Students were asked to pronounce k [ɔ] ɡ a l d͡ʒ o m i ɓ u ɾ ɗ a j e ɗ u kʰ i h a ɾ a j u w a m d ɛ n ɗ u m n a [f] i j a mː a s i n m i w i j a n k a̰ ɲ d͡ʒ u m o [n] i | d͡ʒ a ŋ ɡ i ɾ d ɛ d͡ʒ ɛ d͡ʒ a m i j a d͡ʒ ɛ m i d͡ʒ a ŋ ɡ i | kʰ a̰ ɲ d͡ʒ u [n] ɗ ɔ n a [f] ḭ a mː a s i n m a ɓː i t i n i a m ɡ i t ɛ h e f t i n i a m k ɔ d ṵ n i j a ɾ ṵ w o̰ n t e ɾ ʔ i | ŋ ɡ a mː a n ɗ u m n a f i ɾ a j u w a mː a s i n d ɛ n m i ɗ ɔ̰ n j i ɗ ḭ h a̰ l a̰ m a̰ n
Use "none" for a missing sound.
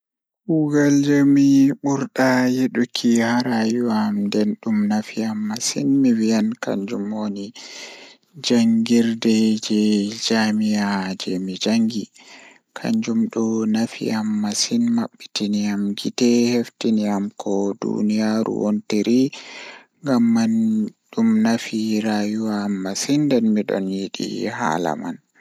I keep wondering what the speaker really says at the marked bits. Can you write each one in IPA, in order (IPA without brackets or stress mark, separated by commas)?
u, f, n, m, f